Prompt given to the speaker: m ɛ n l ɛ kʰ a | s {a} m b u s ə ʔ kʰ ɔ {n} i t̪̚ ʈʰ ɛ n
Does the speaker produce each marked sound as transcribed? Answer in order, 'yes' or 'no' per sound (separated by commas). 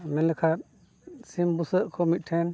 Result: no, no